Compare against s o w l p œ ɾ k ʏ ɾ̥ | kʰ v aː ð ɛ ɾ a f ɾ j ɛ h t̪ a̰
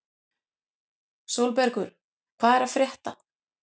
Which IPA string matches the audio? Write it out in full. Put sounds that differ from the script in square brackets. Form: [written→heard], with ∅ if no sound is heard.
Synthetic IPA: s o w l p [œ→ɛ] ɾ k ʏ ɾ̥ | kʰ v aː ð ɛ ɾ a f ɾ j ɛ h t̪ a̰

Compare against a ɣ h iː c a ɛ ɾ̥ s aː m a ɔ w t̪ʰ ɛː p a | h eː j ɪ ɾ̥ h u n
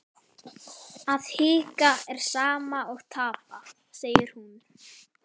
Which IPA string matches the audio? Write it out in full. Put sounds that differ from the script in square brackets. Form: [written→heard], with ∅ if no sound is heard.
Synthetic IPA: a [ɣ→ð] h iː [c→k] a ɛ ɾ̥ s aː m a ɔ [w→ɣ] t̪ʰ [ɛː→aː] p a | [h→s] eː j ɪ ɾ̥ h u n

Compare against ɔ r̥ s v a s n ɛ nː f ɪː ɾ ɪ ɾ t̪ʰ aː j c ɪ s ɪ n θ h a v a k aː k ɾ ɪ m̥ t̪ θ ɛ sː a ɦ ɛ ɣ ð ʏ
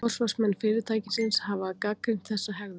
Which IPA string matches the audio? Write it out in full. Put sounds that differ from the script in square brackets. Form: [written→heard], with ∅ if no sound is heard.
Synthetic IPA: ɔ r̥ s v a s [n→m] ɛ nː f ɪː ɾ ɪ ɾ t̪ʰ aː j c ɪ s ɪ n [θ→s] h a v a k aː k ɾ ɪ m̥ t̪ θ ɛ sː a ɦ ɛ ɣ ð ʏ

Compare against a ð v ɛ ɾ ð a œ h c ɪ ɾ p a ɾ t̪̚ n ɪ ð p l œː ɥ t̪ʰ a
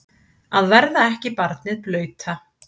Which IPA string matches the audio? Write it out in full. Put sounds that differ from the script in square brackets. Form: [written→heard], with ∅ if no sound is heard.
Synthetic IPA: a ð v ɛ ɾ ð a [œ→ɛ] h c ɪ [ɾ→∅] p a ɾ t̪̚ n ɪ ð p l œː ɥ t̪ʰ a

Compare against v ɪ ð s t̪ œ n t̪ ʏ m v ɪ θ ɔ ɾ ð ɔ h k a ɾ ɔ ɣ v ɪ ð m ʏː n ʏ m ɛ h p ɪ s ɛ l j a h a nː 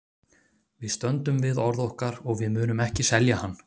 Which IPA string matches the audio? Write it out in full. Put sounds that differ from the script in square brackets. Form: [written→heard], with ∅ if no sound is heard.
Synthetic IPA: v ɪ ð s t̪ œ n t̪ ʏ m v ɪ [θ→ð] ɔ ɾ ð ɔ h k a ɾ ɔ ɣ v ɪ ð m ʏː n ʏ m ɛ h [p→c] ɪ s ɛ l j a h a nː

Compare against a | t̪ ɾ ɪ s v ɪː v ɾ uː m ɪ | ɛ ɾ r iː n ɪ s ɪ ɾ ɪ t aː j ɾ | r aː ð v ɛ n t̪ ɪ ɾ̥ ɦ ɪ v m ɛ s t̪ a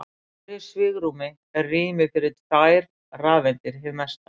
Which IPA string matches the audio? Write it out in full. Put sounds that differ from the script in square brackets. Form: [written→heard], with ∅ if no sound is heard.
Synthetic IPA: a | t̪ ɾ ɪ s v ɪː [v→ɣ] ɾ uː m ɪ | ɛ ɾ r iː [n→m] ɪ [s→f] ɪ ɾ ɪ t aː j ɾ | r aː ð v ɛ n t̪ ɪ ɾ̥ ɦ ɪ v m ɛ s t̪ a

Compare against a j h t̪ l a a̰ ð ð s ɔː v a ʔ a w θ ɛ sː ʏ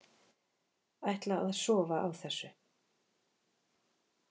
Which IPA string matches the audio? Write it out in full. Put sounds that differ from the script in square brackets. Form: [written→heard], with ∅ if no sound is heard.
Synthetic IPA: a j h t̪ l a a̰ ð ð s ɔː v a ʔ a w θ ɛ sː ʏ

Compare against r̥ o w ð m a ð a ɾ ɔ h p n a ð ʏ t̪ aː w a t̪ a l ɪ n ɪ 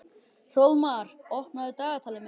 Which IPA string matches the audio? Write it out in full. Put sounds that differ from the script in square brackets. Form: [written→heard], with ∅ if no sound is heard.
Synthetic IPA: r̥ o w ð m a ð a ɾ ɔ h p n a ð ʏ t̪ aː [w→ɣ] a [t̪→t̪ʰ] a l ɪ [n→m] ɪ

